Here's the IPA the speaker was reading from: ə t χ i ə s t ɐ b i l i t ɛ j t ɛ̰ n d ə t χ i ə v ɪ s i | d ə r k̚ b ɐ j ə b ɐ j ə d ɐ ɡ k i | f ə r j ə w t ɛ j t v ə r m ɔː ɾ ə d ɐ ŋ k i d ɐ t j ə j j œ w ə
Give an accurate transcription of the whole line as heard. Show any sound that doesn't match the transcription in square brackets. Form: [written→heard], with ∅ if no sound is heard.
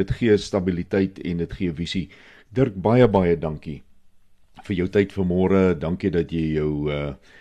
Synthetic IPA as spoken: ə t χ i ə s t ɐ b i l i t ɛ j t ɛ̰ n d ə t χ i ə v [ɪ→i] s i | d ə r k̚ b ɐ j ə b ɐ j ə d ɐ [ɡ→ŋ] k i | f ə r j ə w t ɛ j t [v→f] ə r m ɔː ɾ ə d ɐ ŋ k i d ɐ t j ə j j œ w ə